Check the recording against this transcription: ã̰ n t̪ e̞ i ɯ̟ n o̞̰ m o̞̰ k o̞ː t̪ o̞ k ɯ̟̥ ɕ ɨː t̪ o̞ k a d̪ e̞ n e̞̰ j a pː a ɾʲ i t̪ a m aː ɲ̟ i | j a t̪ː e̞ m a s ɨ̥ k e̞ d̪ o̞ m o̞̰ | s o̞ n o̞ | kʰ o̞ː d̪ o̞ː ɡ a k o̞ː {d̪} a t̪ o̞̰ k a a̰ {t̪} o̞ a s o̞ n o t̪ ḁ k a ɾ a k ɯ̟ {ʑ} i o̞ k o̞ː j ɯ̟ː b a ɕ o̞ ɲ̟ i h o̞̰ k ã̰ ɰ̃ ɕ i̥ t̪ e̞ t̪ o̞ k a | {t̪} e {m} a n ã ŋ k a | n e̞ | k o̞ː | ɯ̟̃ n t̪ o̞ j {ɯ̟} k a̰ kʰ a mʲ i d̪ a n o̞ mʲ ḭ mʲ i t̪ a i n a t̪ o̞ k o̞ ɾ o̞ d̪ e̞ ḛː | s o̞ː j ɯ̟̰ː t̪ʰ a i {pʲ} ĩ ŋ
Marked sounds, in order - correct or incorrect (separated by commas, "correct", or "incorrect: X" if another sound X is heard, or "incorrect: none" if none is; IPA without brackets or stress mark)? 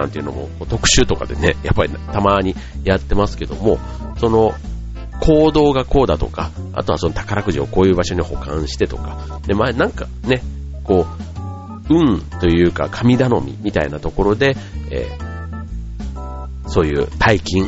correct, correct, correct, incorrect: d̪, correct, incorrect: ɯ̟ː, incorrect: kʲ